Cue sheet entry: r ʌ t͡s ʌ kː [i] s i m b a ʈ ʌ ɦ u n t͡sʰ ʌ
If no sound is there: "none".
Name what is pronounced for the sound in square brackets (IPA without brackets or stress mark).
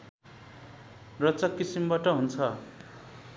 i